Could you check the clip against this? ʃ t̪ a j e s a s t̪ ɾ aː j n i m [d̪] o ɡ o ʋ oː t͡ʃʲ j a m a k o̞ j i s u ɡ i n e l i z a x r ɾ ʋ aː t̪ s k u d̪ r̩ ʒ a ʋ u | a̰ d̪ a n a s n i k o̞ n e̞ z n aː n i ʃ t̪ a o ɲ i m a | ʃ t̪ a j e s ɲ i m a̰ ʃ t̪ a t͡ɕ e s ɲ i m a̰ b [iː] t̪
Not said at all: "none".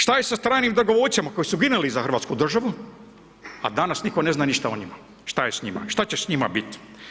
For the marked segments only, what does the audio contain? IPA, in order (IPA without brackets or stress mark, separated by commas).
d̪, i